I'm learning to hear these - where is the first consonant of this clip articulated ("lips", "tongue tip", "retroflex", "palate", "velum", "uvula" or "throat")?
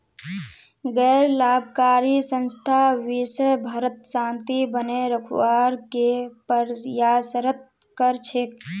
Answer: velum